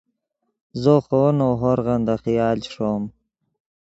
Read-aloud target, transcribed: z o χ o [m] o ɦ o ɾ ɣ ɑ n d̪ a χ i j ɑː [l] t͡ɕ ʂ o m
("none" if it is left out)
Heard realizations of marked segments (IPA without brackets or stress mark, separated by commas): n, l